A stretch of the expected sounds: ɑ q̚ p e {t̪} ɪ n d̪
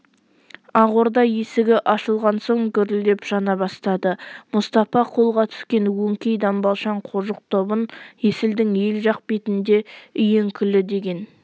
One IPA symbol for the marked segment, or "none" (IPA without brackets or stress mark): t̪